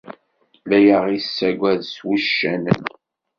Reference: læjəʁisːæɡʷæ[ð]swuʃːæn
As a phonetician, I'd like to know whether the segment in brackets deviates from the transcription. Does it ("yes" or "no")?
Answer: no